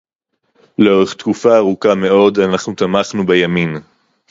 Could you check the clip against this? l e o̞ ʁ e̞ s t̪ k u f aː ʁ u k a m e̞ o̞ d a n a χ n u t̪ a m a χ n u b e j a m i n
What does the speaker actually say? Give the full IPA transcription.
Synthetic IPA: l e o̞ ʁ e̞ χ t̪ k u f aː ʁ u k a m e̞ o̞ d a n a χ n u t̪ a m a χ n u b e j a m i n

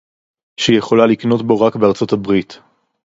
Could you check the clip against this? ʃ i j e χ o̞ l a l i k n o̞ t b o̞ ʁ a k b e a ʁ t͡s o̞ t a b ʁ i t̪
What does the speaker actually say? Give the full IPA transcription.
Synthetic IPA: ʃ i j e χ o̞ l a l i k n o̞ t b o̞ ʁ a k b e a ʁ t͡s o̞ t a b ʁ i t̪

